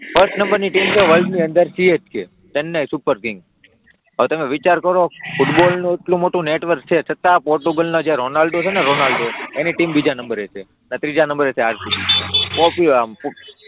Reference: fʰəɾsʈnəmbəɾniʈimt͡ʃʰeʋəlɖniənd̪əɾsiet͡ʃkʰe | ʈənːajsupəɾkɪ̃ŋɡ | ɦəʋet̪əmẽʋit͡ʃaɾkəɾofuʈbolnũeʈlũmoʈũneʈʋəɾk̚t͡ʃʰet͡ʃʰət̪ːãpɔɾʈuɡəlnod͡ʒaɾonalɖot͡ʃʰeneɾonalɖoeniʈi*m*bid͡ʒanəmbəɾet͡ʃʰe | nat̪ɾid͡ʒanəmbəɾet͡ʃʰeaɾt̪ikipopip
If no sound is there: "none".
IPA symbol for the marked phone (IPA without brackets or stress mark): m